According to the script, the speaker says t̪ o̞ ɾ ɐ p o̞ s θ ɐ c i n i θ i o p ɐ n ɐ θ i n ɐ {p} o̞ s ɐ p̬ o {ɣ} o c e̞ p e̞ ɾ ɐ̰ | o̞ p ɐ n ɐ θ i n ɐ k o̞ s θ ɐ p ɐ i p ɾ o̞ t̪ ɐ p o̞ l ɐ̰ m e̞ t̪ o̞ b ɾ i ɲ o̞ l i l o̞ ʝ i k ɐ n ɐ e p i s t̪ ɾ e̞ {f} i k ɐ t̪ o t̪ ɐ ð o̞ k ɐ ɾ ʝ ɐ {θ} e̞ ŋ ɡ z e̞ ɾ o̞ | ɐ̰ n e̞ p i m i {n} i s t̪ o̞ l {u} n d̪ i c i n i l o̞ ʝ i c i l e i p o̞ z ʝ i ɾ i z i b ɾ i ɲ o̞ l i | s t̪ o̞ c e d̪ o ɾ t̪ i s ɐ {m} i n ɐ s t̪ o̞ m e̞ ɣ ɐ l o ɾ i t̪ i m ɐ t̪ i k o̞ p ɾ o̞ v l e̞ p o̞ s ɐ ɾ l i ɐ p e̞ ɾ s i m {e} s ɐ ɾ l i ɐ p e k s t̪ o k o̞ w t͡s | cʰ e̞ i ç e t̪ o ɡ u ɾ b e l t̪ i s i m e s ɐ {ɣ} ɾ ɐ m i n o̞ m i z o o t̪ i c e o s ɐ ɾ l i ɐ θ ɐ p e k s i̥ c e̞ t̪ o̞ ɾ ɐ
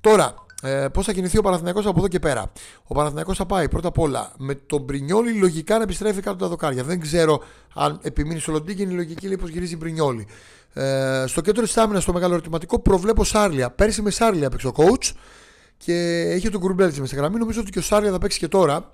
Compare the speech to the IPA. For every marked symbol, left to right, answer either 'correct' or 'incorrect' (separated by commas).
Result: incorrect, incorrect, correct, incorrect, correct, incorrect, correct, correct, correct